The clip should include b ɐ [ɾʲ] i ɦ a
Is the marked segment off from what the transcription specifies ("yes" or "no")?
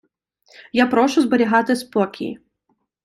no